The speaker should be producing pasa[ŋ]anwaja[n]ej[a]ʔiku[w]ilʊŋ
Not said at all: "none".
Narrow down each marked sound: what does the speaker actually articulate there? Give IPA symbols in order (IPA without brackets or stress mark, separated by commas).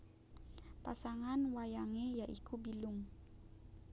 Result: ŋ, ŋ, a, b